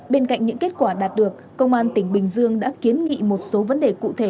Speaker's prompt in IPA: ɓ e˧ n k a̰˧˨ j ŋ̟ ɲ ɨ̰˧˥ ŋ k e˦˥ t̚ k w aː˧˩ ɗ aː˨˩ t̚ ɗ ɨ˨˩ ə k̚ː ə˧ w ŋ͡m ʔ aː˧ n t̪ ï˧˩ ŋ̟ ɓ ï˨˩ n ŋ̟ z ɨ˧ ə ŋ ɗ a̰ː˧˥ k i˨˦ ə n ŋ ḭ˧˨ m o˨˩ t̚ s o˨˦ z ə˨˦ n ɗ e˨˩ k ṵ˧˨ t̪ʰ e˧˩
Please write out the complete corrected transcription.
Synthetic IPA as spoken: ɓ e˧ n k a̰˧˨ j ŋ̟ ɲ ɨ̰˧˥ ŋ k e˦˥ t̚ k w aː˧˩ ɗ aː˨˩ t̚ ɗ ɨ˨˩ ə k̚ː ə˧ w ŋ͡m ʔ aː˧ n t̪ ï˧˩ ŋ̟ ɓ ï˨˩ ŋ̟ z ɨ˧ ə ŋ ɗ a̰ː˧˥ k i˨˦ ə n ŋ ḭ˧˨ m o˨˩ t̚ s o˨˦ v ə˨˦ n ɗ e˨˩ k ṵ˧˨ t̪ʰ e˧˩

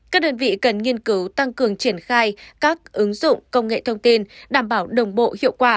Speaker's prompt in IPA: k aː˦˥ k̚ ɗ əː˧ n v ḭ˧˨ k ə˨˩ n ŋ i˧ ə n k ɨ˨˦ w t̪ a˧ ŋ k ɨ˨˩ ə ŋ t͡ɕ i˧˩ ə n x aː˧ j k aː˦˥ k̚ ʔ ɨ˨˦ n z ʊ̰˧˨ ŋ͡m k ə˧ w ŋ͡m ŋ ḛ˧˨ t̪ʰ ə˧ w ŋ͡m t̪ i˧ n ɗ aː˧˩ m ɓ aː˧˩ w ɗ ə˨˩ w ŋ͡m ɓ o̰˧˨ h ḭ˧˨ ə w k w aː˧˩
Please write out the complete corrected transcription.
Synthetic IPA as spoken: k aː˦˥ k̚ ɗ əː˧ n v ḭ˧˨ k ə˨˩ n ŋ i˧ ə n k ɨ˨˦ w t̪ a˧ ŋ k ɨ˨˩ ə ŋ t͡ɕ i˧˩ ə n x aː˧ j k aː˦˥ k̚ ʔ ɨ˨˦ ŋ z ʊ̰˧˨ ŋ͡m k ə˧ w ŋ͡m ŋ ḛ˧˨ t̪ʰ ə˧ w ŋ͡m t̪ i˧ n ɗ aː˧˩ m ɓ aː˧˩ w ɗ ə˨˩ w ŋ͡m ɓ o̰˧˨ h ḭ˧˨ ə w k w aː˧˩

